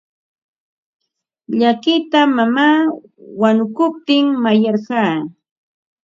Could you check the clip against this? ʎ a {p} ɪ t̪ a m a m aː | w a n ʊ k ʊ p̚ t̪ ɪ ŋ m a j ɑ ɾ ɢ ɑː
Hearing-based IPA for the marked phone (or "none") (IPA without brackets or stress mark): k